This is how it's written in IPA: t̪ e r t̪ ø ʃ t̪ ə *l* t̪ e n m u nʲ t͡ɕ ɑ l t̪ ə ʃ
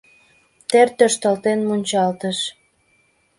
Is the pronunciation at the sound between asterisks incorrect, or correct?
correct